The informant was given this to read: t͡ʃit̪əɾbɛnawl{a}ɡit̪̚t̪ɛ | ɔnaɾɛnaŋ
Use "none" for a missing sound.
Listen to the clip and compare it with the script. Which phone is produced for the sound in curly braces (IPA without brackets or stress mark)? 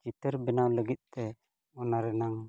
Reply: ə